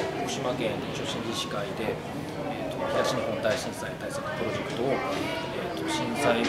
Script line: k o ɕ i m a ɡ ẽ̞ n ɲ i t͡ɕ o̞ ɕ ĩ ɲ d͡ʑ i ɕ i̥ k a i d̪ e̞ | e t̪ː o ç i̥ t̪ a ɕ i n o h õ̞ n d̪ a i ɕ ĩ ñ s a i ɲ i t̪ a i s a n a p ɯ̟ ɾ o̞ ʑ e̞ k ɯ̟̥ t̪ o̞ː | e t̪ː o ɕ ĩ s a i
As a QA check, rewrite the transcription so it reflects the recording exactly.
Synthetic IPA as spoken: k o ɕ i m a k ẽ̞ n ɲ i t͡ɕ o̞ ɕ ĩ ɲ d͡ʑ i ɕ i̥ k a i d̪ e̞ | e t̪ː o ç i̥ t̪ a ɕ i n o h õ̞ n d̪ a i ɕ ĩ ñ s a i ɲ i t̪ a i s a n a p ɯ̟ ɾ o̞ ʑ e̞ k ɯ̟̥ t̪ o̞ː | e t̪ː o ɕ ĩ s a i